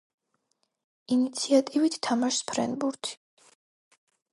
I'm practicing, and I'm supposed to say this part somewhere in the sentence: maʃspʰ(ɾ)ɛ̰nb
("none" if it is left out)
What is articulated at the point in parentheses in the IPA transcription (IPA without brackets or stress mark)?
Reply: ɾ